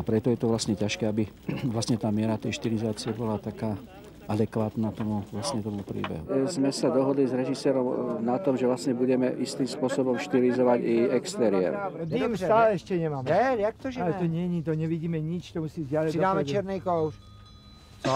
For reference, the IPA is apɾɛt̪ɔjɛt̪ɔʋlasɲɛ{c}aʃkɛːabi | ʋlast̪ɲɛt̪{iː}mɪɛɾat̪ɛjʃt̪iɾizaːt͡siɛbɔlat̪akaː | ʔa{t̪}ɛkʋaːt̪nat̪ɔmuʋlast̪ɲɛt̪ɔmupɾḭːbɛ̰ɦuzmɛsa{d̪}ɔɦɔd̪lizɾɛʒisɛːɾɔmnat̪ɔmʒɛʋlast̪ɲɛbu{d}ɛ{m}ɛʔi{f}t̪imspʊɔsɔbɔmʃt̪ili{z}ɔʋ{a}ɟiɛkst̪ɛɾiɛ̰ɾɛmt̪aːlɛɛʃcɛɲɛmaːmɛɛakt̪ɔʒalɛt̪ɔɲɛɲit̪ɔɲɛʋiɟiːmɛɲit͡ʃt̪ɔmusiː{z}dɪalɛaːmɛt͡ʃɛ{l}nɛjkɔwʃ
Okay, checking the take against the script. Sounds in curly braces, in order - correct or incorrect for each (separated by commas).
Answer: correct, incorrect, incorrect, correct, incorrect, correct, incorrect, correct, correct, correct, incorrect